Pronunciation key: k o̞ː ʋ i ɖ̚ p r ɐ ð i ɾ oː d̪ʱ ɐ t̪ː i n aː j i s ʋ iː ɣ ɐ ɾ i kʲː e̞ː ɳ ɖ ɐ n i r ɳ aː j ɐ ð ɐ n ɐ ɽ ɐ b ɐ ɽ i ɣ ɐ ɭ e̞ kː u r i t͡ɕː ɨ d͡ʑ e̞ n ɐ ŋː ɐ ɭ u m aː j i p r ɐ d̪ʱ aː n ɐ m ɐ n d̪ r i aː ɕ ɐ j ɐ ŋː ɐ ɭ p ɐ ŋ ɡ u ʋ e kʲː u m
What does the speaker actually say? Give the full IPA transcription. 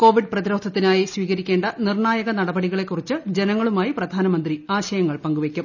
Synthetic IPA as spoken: k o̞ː ʋ i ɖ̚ p r ɐ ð i ɾ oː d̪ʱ ɐ t̪ː i n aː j i s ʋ iː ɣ ɐ ɾ i kʲː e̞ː ɳ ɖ ɐ n i r ɳ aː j ɐ ɣ ɐ n ɐ ɽ ɐ b ɐ ɽ i ɣ ɐ ɭ e̞ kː u r i t͡ɕː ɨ d͡ʑ e̞ n ɐ ŋː ɐ ɭ u m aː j i p r ɐ d̪ʱ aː n ɐ m ɐ n d̪ r i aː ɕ ɐ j ɐ ŋː ɐ ɭ p ɐ ŋ ɡ u ʋ e kʲː u m